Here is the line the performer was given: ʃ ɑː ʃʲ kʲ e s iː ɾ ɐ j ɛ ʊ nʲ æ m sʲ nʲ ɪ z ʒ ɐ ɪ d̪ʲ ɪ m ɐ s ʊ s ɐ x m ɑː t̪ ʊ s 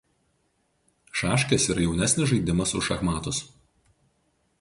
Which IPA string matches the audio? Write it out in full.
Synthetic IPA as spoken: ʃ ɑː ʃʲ kʲ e s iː ɾ ɐ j ɛ ʊ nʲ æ sʲ nʲ ɪ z ʒ ɐ ɪ d̪ʲ ɪ m ɐ s ʊ ʃ ɐ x m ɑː t̪ ʊ s

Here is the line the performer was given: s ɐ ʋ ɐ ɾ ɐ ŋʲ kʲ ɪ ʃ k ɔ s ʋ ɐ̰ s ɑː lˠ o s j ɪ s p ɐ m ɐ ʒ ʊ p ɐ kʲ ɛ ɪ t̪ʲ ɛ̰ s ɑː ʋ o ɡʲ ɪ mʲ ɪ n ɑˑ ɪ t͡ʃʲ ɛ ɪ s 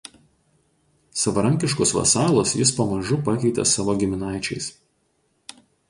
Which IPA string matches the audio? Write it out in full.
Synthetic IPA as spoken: s ɐ ʋ ɐ ɾ ɐ ŋʲ kʲ ɪ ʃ k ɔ s ʋ ɐ̰ s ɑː lˠ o s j ɪ s p ɐ m ɐ ʒ ʊ p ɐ kʲ ɛ ɪ t̪ʲ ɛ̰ s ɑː ʋ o ɡʲ ɪ mʲ ɪ n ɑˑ ɪ t͡ʃʲ ɛ ɪ s

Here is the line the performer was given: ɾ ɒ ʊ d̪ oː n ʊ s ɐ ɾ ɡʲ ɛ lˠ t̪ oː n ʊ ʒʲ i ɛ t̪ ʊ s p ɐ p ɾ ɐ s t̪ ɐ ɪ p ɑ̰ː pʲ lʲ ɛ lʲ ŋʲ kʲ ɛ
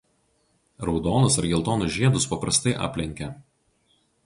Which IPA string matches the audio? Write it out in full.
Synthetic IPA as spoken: ɾ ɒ ʊ d̪ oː n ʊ s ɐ ɾ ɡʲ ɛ lˠ t̪ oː n ʊ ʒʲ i ɛ d̪ ʊ s p ɐ p ɾ ɐ s t̪ ɐ ɪ ʔ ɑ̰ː pʲ lʲ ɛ ŋʲ kʲ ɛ

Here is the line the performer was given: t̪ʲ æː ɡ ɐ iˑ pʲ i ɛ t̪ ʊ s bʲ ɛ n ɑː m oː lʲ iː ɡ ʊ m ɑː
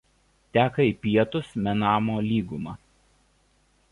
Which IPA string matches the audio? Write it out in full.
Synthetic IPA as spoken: t̪ʲ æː k ɐ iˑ pʲ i ɛ t̪ ʊ s mʲ ɛ n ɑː m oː lʲ iː ɡ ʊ m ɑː

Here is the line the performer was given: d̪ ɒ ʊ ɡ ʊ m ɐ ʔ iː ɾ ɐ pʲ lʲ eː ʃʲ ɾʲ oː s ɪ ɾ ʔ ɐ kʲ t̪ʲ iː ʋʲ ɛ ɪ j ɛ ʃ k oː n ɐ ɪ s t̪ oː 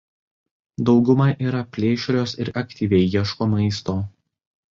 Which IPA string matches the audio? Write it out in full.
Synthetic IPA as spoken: d̪ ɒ ʊ ɡ ʊ m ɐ ʔ iː ɾ ɐ pʲ lʲ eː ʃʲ ɾʲ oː s ɪ ɾ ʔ ɐ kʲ t̪ʲ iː ʋʲ ɛ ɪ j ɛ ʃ k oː m ɐ ɪ s t̪ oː

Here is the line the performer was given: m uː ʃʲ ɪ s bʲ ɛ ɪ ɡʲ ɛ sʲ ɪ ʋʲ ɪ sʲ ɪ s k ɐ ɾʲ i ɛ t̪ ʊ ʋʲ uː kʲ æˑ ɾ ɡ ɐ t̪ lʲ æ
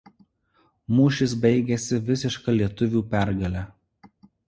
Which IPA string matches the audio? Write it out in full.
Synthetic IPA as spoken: m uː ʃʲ ɪ s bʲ ɛ ɪ ɡʲ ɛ sʲ ɪ ʋʲ ɪ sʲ ɪ ʃ k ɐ lʲ i ɛ t̪ ʊ ʋʲ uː pʲ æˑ ɾ ɡ ɐ lʲ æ

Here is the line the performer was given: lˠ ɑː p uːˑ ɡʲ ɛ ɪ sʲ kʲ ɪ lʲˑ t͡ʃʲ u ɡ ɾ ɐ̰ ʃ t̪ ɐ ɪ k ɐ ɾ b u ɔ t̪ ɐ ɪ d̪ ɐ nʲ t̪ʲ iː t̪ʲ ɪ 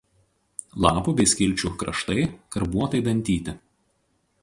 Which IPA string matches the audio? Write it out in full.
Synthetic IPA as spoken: lˠ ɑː p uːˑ bʲ ɛ ɪ sʲ kʲ ɪ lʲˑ t͡ʃʲ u k ɾ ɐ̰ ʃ t̪ ɐ ɪ k ɐ ɾ b u ɔ t̪ ɐ ɪ d̪ ɐ nʲ t̪ʲ iː t̪ʲ ɪ

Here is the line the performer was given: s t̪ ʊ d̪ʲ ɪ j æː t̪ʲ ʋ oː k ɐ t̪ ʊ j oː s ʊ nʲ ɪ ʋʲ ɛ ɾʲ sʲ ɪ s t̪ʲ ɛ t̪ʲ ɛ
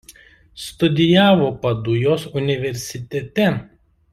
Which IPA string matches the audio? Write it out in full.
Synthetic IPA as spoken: s t̪ ʊ d̪ʲ ɪ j æː ʋ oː p ɐ d̪ ʊ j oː s ʊ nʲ ɪ ʋʲ ɛ ɾʲ sʲ ɪ t̪ʲ ɛ t̪ʲ ɛ

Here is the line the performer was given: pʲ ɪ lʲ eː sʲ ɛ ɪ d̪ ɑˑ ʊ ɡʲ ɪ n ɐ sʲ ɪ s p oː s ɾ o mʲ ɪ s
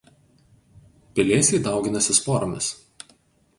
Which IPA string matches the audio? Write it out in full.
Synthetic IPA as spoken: pʲ ɪ lʲ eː sʲ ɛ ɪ d̪ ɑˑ ʊ ɡʲ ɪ n ɐ sʲ ɪ s p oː ɾ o mʲ ɪ s

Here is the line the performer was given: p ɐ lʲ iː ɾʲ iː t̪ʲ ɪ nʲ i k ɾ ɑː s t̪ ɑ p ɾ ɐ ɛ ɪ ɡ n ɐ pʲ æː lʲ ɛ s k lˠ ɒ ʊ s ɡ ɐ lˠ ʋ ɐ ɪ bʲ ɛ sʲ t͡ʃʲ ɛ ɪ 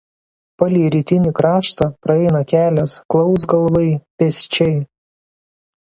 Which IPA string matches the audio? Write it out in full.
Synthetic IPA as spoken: p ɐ lʲ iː ɾʲ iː t̪ʲ ɪ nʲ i k ɾ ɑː ʃ t̪ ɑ p ɾ ɐ ɛ ɪ n ɐ kʲ æː lʲ ɛ s k lˠ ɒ ʊ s ɡ ɐ lˠ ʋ ɐ ɪ pʲ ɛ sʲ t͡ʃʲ ɛ ɪ

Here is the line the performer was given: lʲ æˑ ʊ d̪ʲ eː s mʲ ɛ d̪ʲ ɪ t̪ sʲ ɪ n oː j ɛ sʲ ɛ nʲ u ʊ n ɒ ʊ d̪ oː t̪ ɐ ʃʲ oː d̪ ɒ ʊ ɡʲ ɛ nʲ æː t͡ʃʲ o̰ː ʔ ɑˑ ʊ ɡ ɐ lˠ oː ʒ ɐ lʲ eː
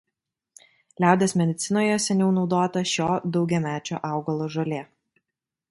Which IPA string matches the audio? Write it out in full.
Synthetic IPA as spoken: lʲ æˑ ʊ d̪ʲ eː s mʲ ɛ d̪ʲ ɪ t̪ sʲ ɪ n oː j ɛ sʲ ɛ nʲ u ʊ n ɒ ʊ d̪ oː t̪ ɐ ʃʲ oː d̪ ɒ ʊ ɡʲ ɛ mʲ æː t͡ʃʲ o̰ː ʔ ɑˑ ʊ ɡ ɐ lˠ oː ʒ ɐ lʲ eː

